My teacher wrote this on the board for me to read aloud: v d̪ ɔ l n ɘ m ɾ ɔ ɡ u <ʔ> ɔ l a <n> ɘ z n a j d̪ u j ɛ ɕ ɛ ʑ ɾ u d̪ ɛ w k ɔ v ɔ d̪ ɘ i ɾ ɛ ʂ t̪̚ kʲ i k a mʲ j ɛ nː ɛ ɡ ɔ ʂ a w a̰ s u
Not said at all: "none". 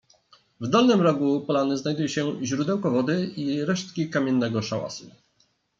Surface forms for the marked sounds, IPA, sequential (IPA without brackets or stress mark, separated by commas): p, n